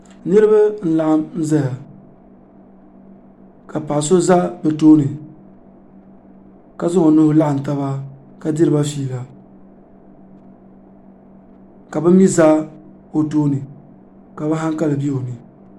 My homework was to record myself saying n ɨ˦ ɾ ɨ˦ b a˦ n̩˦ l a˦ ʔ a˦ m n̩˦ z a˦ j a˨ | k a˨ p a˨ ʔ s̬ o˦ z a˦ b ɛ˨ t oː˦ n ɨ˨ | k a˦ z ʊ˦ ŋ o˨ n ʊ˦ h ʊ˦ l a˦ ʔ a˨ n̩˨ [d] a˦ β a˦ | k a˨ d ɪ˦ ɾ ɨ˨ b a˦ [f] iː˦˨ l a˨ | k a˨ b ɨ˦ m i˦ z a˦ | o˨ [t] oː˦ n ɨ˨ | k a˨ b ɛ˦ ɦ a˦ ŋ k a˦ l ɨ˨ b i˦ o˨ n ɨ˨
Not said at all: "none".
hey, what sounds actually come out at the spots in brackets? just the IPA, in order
t, f, t

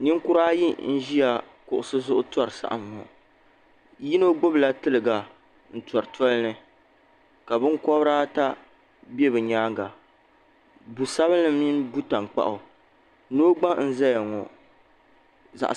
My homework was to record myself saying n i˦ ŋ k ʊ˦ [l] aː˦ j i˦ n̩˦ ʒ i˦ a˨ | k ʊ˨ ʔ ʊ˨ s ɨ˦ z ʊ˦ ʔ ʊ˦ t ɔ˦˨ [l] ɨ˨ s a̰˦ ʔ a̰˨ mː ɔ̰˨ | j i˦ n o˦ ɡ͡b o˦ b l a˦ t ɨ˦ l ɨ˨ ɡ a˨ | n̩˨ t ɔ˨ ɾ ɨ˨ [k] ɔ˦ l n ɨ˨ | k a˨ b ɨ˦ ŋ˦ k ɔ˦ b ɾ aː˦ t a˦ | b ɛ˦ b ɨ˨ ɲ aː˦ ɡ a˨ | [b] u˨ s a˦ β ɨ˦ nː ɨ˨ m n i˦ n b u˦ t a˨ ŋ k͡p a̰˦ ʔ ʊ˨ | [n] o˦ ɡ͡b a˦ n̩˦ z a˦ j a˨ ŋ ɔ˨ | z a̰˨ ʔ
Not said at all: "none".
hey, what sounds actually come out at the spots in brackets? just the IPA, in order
ɾ, ɾ, t, b, n

